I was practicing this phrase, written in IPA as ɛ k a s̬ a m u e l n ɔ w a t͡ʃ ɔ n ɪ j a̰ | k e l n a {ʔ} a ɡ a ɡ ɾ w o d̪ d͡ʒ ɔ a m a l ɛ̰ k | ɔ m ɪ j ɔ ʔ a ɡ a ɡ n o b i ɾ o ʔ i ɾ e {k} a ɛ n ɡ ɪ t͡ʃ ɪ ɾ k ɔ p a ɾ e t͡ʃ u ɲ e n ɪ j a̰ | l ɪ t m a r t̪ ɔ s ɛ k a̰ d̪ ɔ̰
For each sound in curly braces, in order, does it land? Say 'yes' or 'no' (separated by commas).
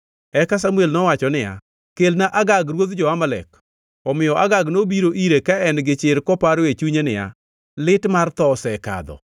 yes, yes